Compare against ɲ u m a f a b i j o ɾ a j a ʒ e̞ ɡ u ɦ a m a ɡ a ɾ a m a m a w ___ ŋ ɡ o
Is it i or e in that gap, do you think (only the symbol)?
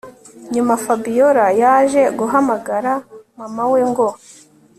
e